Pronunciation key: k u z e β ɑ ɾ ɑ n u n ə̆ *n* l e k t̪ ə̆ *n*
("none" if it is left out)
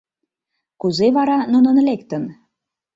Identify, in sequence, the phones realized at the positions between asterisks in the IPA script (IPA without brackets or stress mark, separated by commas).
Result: n, n